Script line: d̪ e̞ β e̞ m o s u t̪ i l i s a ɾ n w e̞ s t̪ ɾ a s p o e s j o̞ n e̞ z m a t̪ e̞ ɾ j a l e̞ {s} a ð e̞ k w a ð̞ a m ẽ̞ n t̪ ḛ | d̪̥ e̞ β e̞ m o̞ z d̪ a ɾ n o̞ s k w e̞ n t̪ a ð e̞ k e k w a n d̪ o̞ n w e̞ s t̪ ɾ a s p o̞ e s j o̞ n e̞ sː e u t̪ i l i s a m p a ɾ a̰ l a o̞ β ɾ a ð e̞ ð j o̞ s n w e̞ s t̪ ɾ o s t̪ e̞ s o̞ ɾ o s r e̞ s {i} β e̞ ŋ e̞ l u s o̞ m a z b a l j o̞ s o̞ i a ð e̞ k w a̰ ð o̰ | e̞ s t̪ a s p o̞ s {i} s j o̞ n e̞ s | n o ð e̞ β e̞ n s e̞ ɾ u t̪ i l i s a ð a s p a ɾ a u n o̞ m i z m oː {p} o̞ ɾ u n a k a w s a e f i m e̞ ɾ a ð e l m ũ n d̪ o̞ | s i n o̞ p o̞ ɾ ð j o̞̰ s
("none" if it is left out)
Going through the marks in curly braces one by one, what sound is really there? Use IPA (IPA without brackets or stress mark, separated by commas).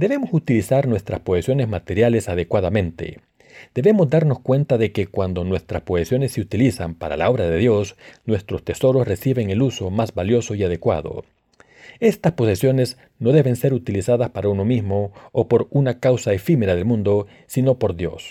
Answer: s, i, e, p